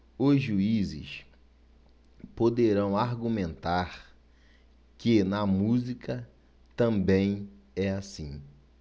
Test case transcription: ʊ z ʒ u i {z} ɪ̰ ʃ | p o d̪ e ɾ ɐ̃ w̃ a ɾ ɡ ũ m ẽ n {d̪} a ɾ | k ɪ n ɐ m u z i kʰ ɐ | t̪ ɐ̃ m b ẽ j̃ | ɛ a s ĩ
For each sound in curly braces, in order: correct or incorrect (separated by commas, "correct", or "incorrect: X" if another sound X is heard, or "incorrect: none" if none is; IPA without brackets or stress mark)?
correct, incorrect: t̪